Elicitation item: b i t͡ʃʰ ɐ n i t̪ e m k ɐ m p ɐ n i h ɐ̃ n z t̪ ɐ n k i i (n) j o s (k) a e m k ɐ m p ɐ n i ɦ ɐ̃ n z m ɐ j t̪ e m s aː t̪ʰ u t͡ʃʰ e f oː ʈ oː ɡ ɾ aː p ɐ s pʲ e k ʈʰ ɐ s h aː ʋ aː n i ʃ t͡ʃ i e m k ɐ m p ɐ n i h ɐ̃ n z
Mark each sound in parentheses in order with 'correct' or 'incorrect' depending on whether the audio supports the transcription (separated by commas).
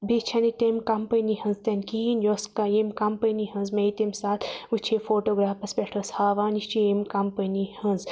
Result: correct, correct